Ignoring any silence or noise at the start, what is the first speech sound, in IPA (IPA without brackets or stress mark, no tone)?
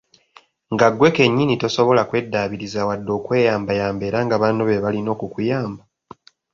ŋ